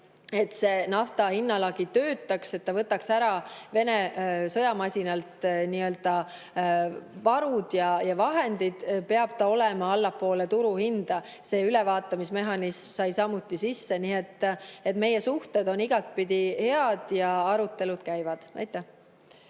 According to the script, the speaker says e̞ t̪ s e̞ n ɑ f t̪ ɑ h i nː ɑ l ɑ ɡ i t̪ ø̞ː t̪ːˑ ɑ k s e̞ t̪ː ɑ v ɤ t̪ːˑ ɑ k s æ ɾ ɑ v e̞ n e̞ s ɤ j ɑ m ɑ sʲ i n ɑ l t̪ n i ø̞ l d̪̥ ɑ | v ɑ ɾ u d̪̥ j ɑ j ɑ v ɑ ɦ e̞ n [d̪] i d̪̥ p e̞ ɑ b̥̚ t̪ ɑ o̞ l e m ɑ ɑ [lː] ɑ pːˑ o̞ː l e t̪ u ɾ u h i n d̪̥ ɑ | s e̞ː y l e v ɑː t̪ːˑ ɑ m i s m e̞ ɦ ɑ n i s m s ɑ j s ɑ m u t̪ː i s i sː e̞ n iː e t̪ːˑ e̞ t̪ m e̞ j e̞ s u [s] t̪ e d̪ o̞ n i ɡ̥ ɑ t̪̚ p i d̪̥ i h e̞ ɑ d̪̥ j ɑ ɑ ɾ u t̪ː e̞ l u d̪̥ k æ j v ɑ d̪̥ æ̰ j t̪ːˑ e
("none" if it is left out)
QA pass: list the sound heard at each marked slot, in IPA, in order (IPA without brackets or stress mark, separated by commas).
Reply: d̪, lː, h